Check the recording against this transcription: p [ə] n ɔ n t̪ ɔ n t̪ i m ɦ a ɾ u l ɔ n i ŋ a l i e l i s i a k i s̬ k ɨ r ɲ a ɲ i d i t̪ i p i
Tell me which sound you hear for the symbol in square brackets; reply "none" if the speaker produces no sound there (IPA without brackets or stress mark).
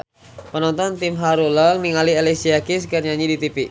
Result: ə